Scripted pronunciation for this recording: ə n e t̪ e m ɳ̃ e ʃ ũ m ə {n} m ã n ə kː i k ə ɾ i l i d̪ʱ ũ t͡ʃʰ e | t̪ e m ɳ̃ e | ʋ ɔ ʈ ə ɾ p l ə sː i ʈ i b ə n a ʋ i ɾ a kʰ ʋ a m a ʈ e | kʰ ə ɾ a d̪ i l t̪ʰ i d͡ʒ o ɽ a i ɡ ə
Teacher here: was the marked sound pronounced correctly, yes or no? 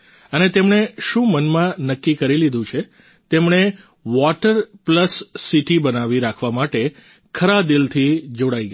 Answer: yes